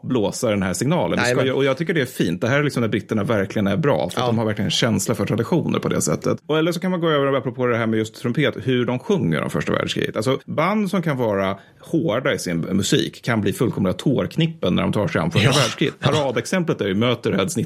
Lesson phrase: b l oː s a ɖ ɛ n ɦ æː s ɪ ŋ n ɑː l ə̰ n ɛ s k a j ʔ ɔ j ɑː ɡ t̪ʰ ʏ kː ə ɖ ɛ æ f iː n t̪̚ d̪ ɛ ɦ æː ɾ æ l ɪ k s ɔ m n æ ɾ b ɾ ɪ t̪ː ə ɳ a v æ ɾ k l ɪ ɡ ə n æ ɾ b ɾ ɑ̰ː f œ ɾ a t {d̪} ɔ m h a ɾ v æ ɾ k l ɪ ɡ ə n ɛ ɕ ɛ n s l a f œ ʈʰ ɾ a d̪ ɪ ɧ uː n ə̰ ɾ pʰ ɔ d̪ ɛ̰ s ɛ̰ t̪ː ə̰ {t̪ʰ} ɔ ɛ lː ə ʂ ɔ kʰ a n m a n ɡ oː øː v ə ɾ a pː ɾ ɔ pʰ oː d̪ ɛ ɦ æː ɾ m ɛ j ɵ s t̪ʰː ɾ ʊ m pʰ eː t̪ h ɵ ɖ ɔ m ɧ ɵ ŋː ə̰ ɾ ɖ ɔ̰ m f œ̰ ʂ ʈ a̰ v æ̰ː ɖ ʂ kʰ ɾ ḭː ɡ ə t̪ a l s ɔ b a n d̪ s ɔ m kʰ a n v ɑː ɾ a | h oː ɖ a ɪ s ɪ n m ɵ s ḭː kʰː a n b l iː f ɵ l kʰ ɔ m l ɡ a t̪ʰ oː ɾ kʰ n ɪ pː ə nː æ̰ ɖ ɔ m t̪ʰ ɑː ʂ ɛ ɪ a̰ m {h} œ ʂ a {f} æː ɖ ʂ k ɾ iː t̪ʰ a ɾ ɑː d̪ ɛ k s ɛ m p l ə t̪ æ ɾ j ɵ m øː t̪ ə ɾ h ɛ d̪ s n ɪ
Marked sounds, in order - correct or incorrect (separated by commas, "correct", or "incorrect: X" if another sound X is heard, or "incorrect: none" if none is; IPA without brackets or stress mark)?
correct, incorrect: t̪, incorrect: f, incorrect: v